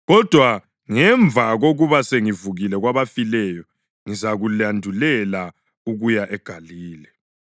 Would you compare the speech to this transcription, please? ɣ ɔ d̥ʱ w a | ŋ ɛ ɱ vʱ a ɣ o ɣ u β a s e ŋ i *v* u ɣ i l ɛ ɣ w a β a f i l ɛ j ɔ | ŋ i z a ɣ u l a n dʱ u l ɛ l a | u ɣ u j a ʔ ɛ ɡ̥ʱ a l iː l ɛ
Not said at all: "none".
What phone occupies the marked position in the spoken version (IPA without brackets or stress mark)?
v